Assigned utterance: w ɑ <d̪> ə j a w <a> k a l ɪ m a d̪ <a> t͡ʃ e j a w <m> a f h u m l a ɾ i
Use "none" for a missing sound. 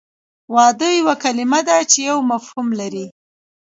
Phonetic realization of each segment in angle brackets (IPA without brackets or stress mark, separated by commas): d̪, a, a, m